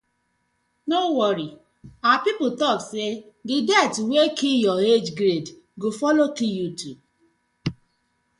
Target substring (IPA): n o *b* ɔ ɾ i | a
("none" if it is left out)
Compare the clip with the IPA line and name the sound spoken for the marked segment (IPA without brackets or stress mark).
w